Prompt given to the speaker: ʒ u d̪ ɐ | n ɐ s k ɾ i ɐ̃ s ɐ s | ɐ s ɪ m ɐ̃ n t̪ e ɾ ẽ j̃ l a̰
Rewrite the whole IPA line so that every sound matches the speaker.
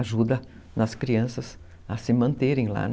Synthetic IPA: ʒ u d̪ ɐ | n ɐ s k ɾ i ɐ̃ s ɐ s | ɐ s ɪ m ɐ̃ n t̪ e ɾ ẽ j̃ l a̰